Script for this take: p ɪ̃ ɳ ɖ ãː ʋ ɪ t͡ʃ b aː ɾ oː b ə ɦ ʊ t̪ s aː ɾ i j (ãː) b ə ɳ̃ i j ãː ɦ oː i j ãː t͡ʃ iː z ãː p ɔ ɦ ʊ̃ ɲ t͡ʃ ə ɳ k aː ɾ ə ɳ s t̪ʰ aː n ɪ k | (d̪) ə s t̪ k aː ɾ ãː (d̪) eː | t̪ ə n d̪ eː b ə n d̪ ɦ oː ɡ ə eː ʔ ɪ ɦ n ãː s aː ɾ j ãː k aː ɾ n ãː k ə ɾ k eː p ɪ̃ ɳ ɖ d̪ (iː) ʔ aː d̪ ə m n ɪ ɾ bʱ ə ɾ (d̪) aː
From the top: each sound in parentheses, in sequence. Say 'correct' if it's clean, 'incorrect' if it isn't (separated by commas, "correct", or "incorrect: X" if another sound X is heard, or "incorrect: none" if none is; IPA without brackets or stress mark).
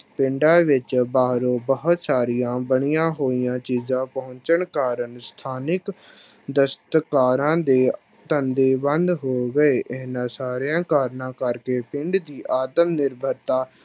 correct, correct, correct, correct, incorrect: t̪